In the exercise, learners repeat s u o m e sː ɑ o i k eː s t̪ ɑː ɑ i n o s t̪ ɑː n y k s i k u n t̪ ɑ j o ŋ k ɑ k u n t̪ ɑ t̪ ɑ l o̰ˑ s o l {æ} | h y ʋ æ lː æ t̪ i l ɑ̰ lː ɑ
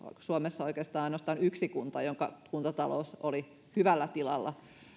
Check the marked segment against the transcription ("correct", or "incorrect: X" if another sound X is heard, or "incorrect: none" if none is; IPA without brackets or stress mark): incorrect: i